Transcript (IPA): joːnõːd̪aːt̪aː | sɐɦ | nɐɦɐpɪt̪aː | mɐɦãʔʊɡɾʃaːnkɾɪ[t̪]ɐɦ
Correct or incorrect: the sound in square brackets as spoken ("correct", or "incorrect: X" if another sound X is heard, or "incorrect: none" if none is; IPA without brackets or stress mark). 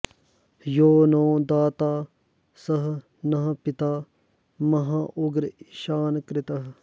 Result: correct